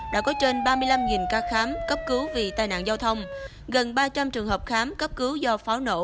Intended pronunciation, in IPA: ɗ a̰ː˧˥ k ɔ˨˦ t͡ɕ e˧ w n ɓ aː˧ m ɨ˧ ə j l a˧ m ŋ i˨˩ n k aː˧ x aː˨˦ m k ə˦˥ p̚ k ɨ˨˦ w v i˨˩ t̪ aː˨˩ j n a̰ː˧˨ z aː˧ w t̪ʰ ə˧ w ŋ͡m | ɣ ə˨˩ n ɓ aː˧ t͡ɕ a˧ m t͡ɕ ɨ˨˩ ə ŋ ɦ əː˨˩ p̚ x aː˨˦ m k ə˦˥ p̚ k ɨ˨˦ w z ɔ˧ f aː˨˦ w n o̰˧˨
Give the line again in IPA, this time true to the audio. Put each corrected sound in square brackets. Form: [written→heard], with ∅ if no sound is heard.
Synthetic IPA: ɗ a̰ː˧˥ k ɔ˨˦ t͡ɕ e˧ [w→∅] n ɓ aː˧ m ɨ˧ ə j l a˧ m ŋ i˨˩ n k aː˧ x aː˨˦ m k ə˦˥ p̚ k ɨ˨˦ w v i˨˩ t̪ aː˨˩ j n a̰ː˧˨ z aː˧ w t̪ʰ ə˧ w ŋ͡m | ɣ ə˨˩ n ɓ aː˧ t͡ɕ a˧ m t͡ɕ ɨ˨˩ ə ŋ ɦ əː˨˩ p̚ x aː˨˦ m k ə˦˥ p̚ k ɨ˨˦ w z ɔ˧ f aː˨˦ w n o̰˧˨